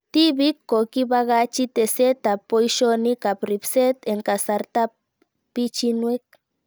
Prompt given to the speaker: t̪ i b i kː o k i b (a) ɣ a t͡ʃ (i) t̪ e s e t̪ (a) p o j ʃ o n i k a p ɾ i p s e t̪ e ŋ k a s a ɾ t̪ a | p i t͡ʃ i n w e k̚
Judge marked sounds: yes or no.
yes, yes, yes

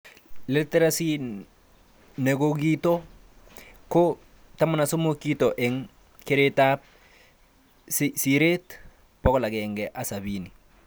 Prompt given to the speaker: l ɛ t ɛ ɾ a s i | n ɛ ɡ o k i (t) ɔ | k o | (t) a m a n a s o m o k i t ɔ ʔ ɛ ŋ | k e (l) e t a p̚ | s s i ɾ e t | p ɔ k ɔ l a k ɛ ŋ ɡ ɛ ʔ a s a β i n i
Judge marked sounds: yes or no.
yes, yes, no

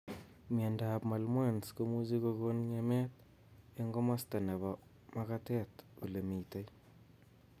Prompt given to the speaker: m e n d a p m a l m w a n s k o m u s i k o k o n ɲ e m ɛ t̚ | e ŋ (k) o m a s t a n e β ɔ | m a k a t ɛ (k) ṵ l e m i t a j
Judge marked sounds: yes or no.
no, no

